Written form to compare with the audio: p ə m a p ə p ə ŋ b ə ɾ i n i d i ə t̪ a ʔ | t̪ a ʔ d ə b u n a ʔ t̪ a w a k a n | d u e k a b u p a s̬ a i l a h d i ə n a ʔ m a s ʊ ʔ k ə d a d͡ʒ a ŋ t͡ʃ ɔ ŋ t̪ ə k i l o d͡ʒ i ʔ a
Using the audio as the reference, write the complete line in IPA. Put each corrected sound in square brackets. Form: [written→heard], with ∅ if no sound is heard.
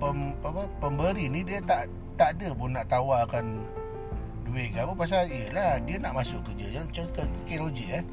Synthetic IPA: p ə m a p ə p ə [ŋ→m] b ə ɾ i n i d i ə t̪ a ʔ | t̪ a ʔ d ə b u n a ʔ t̪ a w a k a n | d u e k a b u p a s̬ a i l a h d i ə n a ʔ m a s ʊ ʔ k ə [d→d͡ʒ] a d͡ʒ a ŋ t͡ʃ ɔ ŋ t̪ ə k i l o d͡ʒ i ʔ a